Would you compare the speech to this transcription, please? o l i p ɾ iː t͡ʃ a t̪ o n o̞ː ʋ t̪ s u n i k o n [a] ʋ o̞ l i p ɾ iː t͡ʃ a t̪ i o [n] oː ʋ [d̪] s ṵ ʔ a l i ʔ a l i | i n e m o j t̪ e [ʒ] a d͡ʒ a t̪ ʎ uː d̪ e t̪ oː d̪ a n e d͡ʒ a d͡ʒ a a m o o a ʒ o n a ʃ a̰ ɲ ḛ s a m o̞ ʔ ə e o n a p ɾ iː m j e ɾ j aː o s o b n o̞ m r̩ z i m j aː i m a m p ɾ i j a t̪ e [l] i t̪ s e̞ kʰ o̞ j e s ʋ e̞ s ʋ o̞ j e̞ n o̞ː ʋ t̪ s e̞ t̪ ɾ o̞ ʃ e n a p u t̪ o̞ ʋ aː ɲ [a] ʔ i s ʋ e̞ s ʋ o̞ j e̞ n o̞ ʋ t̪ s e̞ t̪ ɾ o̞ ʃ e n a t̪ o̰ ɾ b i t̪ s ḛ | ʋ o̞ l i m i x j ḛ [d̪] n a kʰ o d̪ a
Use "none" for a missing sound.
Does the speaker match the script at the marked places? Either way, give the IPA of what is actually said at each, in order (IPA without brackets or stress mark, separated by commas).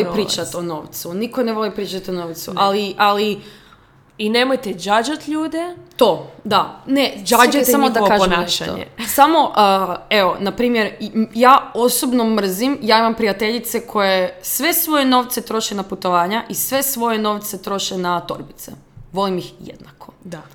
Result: e, n, t̪, d͡ʒ, ʎ, a, d̪